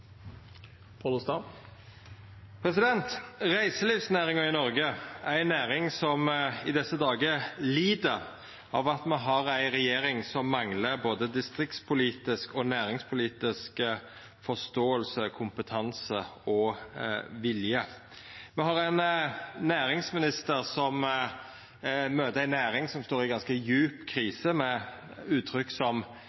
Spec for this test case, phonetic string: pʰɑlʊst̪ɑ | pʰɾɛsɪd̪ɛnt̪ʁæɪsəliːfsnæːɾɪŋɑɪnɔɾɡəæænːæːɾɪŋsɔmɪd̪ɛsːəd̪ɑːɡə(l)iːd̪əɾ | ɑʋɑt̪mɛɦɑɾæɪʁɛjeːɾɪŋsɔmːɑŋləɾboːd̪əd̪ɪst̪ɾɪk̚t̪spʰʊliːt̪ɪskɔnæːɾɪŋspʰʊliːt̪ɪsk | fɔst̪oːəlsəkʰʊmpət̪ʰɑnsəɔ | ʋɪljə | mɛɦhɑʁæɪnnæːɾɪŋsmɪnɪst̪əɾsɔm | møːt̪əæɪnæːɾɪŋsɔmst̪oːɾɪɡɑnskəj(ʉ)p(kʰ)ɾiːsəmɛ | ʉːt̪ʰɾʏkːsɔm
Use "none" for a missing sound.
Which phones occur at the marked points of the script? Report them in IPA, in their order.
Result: l, ʉː, kʰ

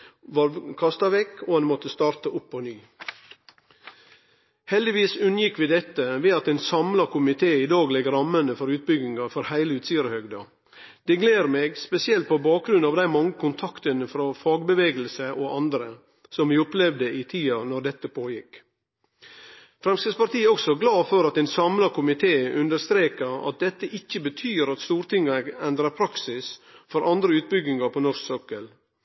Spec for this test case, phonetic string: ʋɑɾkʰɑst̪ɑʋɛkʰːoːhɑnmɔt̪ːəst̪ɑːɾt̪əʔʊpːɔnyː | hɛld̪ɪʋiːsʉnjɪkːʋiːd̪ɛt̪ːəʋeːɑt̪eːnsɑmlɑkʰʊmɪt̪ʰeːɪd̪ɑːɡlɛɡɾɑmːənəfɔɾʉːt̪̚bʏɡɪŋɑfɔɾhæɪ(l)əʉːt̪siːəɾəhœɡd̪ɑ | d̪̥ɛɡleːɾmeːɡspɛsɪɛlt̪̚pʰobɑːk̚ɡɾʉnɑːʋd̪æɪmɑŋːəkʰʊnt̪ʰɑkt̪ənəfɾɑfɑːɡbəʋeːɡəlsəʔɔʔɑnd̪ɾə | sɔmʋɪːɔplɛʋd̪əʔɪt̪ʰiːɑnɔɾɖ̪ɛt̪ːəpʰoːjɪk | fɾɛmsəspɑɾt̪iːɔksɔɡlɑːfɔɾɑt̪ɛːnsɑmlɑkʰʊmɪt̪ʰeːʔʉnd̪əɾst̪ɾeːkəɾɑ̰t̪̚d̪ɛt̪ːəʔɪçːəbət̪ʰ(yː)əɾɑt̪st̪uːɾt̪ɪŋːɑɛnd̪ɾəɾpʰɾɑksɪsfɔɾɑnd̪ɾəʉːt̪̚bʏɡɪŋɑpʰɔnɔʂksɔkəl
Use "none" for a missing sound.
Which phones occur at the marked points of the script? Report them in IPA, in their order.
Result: l, yː

